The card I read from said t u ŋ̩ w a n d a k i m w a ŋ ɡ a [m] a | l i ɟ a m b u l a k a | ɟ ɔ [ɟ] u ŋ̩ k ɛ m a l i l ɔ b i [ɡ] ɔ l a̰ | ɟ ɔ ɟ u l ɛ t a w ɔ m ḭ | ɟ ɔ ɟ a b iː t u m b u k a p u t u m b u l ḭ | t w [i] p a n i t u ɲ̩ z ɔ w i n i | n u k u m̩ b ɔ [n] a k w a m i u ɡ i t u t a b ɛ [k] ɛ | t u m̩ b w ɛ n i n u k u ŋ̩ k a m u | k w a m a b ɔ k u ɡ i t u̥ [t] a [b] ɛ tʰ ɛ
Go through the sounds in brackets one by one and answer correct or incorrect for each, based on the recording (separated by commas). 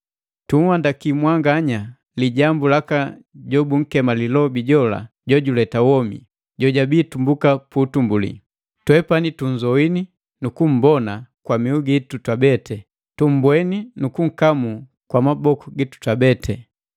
incorrect, incorrect, incorrect, incorrect, correct, incorrect, correct, correct